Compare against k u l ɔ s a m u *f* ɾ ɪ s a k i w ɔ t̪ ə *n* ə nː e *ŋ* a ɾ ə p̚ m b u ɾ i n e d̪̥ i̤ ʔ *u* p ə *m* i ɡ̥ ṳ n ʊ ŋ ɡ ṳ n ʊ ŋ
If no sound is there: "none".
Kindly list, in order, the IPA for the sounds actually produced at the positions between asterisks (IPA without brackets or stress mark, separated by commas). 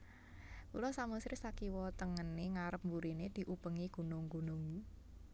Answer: s, ŋ, ŋ, u, ŋ